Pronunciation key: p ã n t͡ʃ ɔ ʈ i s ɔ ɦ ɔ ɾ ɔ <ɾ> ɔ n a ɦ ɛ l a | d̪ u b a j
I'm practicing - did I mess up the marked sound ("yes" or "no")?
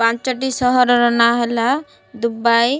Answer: no